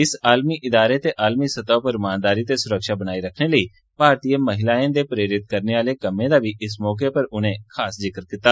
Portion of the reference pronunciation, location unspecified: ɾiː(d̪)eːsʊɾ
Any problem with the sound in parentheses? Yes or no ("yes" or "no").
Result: yes